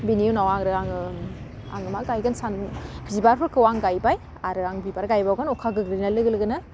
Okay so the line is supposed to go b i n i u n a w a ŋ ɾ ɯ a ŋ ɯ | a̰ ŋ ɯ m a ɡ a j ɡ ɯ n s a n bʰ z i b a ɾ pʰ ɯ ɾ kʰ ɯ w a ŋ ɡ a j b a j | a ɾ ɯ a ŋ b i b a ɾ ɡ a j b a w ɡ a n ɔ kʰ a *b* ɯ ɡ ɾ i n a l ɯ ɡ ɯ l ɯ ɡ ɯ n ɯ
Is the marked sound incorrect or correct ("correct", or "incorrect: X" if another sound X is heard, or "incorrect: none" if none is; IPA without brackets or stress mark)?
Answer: incorrect: ɡ